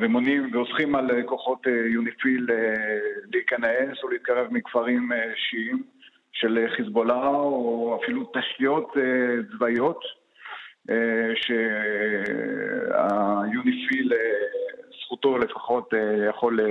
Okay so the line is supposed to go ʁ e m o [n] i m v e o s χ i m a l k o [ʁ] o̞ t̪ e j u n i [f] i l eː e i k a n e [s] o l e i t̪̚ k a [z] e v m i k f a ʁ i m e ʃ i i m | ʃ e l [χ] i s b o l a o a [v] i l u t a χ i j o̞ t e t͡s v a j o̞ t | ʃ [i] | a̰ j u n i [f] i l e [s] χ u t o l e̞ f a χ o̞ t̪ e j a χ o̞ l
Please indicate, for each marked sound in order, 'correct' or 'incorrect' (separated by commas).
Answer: correct, incorrect, correct, correct, incorrect, correct, incorrect, incorrect, correct, correct